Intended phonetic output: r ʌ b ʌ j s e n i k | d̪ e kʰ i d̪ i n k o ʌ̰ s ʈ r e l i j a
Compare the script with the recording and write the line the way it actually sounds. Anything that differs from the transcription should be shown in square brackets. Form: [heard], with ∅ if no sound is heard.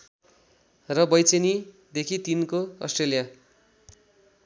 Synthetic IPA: r ʌ b ʌ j [t͡s] e n i [∅] | d̪ e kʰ i [t̪] i n k o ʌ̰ s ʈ r e l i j a